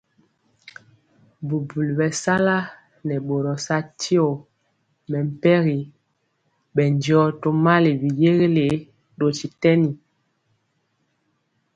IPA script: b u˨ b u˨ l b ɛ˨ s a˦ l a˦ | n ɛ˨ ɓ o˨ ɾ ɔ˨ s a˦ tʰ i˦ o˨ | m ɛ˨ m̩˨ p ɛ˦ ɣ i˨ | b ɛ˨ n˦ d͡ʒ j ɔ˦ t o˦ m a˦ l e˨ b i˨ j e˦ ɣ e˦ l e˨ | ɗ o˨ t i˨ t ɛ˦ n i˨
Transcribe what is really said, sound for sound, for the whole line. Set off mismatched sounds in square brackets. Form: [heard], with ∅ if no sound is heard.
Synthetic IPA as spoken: b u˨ b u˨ l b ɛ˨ s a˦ l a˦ | n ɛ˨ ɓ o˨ ɾ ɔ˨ s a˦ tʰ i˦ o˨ | m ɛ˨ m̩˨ p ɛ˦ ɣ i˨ | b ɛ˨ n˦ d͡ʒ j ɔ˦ t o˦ m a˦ l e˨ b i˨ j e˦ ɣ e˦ l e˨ | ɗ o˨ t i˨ t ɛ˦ n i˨